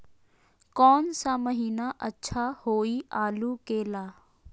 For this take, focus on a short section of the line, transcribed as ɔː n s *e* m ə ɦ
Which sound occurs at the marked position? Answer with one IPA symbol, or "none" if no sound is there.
a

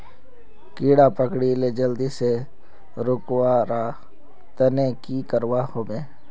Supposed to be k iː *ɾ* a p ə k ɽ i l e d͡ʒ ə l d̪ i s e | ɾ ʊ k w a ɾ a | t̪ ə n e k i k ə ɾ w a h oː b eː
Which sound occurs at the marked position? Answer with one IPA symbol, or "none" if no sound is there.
ɽ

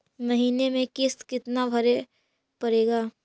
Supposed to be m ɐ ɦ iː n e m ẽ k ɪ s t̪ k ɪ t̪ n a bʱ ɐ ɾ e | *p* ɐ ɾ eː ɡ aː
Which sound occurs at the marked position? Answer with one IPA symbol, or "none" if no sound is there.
p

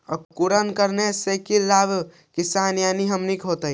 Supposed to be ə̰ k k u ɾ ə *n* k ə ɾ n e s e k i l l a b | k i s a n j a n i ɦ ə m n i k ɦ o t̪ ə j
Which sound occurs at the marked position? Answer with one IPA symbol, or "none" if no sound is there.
n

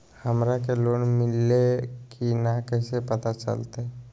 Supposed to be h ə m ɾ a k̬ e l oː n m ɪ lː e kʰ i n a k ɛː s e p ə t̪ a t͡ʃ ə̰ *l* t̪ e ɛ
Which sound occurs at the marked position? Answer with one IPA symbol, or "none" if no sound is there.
l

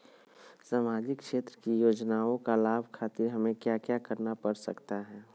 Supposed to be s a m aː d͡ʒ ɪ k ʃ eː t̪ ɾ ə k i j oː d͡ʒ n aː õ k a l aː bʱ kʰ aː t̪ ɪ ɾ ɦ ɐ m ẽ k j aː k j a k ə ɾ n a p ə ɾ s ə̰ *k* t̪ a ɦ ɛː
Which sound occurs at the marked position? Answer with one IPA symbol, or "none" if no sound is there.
k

